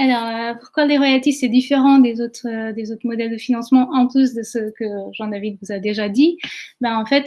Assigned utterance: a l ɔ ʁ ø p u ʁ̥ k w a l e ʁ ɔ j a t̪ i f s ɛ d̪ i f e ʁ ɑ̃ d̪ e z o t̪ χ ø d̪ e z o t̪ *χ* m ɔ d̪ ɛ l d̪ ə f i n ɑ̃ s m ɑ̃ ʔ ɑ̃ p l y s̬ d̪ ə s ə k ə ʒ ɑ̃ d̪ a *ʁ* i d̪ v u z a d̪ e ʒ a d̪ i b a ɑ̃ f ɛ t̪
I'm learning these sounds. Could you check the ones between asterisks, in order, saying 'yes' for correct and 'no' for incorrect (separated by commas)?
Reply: yes, no